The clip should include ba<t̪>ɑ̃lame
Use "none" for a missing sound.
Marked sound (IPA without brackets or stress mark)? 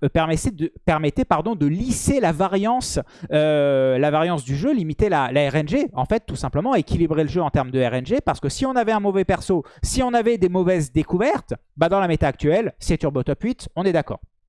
d̪